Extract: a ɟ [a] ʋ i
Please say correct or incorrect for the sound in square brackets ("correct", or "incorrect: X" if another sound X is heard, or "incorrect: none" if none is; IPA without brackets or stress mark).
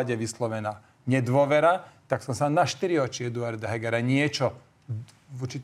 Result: incorrect: ɛ